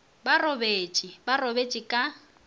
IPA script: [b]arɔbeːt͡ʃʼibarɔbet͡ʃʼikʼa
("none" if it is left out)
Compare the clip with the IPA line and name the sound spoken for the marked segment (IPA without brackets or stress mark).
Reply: b